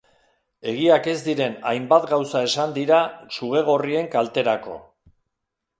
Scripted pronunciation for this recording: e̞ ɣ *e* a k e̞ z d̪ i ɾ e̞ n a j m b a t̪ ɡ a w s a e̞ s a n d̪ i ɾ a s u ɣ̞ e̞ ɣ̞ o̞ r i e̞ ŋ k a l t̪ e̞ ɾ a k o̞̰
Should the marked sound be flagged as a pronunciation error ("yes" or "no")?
yes